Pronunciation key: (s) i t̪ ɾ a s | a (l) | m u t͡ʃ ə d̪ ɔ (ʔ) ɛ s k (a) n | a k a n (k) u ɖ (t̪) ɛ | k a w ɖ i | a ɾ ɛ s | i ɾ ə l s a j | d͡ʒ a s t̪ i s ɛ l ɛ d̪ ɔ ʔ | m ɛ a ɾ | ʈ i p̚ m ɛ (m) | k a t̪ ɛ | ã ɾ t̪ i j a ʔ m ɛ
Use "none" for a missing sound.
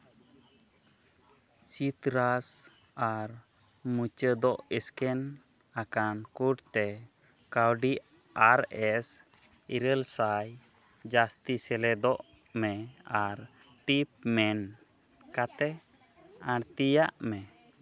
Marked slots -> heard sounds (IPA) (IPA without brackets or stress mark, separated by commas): s, ɾ, ʔ, ɛ, k, t̪, n